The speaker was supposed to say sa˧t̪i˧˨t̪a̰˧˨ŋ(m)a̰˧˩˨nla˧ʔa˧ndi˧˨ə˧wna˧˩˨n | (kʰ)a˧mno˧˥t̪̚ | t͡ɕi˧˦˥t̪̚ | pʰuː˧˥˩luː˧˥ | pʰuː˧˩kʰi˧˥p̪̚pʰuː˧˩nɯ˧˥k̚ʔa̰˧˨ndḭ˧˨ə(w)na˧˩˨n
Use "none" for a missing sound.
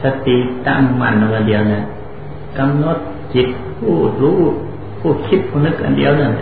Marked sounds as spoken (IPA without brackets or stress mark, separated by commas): m, k, w